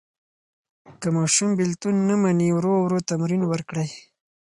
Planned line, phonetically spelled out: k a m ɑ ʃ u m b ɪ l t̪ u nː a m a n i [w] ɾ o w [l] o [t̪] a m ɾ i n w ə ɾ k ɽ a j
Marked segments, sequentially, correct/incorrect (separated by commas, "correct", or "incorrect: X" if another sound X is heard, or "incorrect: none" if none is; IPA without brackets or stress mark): correct, incorrect: ɾ, correct